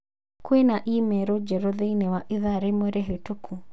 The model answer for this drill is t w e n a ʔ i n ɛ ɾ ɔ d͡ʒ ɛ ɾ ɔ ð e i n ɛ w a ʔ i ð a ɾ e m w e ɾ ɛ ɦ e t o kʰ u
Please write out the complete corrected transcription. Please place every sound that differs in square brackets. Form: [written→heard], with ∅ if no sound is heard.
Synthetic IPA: [t→k] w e n a ʔ i [n→m] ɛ ɾ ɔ d͡ʒ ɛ ɾ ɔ ð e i n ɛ w a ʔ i ð a ɾ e m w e ɾ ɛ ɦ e t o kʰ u